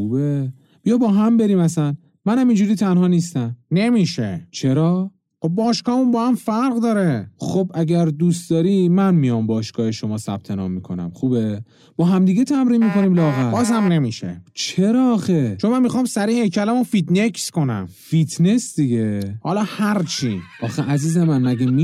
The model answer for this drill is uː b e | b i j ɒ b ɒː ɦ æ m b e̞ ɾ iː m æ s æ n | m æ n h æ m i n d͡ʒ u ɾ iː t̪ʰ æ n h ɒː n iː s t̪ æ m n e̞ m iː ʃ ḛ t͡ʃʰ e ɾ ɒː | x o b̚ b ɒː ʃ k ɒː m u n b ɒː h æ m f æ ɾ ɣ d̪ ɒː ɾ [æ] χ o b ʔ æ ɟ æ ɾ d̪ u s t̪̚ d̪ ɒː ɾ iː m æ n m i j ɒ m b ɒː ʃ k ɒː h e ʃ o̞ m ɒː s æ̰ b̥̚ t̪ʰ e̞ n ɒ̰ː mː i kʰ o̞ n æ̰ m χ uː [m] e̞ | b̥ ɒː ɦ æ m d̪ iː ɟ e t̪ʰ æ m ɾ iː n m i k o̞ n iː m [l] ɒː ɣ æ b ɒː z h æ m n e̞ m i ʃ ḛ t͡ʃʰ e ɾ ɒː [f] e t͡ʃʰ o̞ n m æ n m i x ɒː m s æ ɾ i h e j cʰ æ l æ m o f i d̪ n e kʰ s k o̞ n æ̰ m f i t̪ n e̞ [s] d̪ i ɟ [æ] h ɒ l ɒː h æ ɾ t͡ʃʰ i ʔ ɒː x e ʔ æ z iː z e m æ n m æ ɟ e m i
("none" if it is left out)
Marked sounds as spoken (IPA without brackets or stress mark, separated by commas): e, b, l, x, s, e